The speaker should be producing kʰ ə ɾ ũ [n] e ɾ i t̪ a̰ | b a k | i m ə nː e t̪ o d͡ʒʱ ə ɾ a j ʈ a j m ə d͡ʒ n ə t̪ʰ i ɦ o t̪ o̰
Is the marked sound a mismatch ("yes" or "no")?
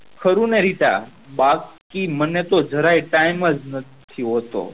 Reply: no